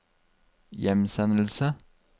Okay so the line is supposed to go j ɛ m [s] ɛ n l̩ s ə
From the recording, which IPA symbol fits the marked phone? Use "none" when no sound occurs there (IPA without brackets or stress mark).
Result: s